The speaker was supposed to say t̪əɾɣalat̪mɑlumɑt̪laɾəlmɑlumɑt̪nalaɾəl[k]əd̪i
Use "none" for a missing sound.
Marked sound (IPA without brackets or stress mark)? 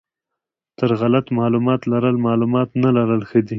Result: x